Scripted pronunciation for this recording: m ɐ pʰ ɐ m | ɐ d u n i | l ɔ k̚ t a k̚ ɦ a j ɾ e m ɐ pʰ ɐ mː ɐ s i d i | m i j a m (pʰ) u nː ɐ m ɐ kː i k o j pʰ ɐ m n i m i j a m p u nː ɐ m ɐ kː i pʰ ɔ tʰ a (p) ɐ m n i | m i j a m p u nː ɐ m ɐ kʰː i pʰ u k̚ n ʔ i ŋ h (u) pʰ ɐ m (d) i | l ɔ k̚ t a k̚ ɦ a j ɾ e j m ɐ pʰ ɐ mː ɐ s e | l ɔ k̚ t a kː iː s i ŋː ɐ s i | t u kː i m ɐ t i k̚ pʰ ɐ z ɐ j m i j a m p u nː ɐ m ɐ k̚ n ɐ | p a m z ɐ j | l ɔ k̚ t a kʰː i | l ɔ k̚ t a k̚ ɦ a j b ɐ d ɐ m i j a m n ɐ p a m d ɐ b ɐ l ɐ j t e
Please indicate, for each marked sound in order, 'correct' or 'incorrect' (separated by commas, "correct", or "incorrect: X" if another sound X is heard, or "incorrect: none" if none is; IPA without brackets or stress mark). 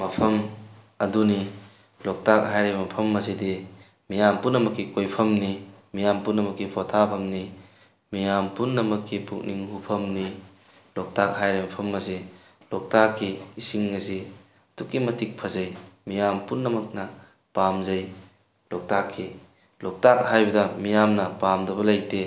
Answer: incorrect: p, incorrect: pʰ, correct, incorrect: n